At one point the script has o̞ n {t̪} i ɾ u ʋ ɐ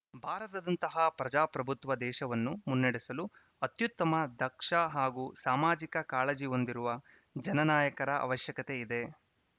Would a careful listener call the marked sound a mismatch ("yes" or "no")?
yes